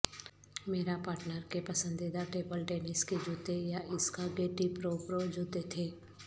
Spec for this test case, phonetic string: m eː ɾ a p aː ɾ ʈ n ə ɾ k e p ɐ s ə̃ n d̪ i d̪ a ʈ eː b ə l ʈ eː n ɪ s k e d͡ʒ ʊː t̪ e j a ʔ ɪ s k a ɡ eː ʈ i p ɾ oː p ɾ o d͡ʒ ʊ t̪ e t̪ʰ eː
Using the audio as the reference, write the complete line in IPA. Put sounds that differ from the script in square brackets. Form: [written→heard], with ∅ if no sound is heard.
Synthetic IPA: m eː ɾ a p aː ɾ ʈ n ə ɾ k e p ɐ s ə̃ n d̪ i d̪ a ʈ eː b ə l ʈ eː n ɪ s k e d͡ʒ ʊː t̪ e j a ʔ ɪ s k a ɡ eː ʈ i p ɾ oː p ɾ o d͡ʒ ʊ t̪ e t̪ʰ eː